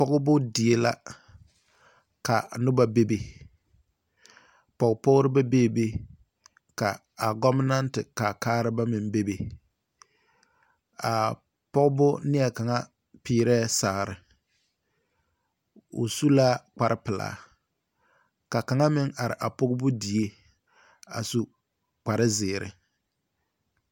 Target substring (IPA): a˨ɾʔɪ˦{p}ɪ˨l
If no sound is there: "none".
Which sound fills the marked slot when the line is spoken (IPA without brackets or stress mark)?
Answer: p